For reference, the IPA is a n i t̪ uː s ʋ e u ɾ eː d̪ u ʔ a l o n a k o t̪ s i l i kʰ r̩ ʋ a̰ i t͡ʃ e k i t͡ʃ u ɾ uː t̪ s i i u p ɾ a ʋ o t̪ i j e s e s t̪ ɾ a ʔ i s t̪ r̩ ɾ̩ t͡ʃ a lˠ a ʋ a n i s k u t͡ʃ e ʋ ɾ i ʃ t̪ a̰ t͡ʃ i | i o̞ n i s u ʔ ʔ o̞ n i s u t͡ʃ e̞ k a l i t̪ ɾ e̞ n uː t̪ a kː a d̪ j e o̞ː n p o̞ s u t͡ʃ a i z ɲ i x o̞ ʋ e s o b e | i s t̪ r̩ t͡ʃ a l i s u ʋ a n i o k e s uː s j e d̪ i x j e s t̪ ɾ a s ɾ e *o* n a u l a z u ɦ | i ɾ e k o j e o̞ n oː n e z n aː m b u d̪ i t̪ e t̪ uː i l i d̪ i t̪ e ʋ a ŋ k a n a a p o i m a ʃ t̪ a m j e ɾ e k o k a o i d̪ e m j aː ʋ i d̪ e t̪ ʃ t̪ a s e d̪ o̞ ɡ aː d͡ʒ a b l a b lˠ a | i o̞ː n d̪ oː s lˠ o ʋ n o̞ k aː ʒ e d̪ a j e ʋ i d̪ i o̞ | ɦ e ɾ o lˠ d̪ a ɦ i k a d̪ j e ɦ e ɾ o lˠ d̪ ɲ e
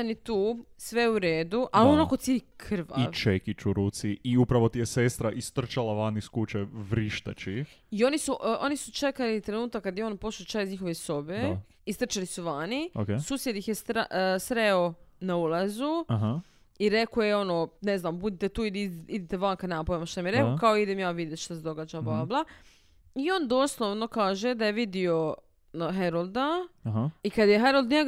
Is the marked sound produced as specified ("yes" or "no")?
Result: yes